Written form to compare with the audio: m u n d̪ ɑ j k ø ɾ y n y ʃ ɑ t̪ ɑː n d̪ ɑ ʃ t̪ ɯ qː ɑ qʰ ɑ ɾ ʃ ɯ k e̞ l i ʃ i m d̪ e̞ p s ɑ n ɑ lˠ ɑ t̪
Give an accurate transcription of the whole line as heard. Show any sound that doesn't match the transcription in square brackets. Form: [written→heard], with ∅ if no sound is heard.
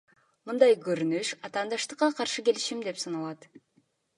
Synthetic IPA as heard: m [u→ɯ] n d̪ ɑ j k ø ɾ y n y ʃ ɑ t̪ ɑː n d̪ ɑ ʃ t̪ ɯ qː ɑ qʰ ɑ ɾ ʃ ɯ k e̞ l i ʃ i m d̪ e̞ p s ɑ n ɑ lˠ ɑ t̪